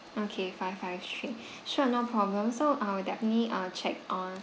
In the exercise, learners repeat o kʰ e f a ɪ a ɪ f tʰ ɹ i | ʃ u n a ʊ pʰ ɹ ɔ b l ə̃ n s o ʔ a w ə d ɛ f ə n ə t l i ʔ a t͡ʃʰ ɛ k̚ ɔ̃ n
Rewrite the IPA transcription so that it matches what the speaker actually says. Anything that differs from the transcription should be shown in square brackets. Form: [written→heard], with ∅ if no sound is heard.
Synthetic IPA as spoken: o kʰ e f a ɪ a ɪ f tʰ ɹ i | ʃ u n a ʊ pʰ ɹ ɔ b l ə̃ [n→m] s o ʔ a w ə d ɛ f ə n ə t l i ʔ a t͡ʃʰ ɛ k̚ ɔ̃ n